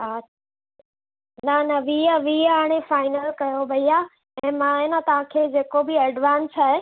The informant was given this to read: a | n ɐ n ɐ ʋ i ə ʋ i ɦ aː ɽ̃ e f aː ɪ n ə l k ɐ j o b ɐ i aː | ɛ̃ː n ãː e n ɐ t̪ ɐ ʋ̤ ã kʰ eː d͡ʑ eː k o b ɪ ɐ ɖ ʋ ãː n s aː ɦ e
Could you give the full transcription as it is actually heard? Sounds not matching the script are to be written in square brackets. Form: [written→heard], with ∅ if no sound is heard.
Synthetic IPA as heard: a | n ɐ n ɐ ʋ i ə ʋ i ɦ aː ɽ̃ e f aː ɪ n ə l k ɐ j o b ɐ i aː | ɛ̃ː [n→m] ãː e n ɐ t̪ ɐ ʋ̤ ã kʰ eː d͡ʑ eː k o b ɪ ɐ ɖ ʋ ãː n s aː ɦ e